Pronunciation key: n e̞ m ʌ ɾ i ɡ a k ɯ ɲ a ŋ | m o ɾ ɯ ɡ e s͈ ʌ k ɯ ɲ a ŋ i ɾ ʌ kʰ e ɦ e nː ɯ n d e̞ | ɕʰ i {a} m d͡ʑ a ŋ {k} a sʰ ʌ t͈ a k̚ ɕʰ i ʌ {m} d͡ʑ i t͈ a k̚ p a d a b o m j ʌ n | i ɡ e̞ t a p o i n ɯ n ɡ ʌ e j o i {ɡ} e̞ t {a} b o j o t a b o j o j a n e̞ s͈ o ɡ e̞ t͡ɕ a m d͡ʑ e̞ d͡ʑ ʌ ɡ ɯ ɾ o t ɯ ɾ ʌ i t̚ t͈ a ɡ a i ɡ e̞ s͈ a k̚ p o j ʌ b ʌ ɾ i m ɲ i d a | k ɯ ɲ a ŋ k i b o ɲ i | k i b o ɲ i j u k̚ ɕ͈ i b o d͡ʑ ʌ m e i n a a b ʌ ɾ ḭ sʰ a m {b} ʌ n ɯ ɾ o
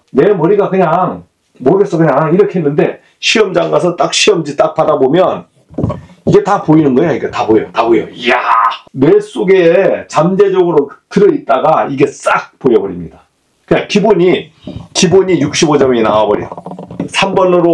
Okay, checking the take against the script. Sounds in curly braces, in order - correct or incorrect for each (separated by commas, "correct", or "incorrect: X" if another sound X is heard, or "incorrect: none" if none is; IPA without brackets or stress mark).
incorrect: ʌ, incorrect: ɡ, correct, correct, correct, correct